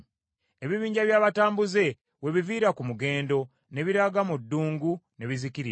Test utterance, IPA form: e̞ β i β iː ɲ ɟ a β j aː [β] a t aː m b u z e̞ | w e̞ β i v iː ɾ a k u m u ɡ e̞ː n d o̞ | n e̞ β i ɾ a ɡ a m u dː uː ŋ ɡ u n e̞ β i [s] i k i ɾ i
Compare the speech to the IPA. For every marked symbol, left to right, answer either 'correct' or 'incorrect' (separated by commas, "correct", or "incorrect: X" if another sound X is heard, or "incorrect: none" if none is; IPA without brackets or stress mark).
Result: correct, incorrect: z